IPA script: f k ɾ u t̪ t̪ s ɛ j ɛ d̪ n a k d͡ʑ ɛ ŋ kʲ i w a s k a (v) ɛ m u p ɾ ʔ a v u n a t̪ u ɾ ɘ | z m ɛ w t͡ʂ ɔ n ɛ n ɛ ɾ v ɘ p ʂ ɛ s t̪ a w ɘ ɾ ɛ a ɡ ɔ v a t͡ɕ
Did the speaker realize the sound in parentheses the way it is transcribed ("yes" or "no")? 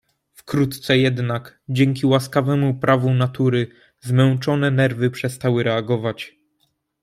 yes